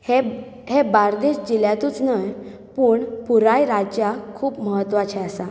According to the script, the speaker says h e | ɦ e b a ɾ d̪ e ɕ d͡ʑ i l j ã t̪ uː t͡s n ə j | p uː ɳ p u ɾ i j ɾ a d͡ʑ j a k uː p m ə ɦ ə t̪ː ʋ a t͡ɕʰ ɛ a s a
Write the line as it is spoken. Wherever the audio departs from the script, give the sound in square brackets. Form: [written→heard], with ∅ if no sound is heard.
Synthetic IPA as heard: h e | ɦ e b a ɾ d̪ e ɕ d͡ʑ i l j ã t̪ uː t͡s n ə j | p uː ɳ p u ɾ [i→a] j ɾ a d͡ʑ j a [k→kʰ] uː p m ə ɦ ə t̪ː ʋ a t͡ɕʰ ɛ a s a